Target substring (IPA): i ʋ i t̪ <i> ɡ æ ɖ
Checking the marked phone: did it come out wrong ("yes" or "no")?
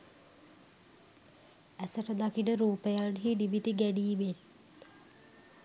no